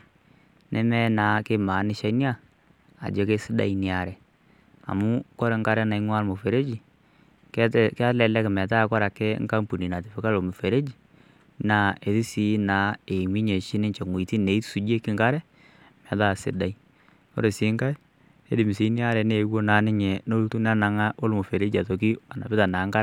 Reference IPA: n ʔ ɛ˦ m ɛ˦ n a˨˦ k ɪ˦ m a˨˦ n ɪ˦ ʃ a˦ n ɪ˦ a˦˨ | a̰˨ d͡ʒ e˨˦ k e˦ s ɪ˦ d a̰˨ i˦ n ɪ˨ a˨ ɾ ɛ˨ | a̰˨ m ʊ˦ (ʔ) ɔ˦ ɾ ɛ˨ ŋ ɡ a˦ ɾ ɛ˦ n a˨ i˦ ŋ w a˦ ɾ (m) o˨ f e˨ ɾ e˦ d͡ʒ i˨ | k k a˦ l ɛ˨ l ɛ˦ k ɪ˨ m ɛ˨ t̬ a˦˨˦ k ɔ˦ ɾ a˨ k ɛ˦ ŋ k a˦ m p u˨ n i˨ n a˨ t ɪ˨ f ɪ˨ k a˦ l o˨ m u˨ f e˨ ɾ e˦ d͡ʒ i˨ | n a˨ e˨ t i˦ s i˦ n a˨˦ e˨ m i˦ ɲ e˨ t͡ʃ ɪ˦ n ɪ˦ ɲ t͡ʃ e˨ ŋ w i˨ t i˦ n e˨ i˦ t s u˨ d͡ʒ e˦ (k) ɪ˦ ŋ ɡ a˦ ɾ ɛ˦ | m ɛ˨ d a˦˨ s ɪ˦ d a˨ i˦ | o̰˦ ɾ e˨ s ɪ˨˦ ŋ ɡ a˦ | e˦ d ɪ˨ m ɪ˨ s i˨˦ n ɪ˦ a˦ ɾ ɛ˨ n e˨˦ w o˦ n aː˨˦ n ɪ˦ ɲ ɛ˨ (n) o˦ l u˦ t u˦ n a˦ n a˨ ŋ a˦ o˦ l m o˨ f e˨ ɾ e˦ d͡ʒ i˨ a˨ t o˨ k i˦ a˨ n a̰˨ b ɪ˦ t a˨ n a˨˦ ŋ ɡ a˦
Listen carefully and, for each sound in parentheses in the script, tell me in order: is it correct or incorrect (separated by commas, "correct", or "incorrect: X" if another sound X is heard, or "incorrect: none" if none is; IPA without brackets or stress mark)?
incorrect: k, correct, correct, correct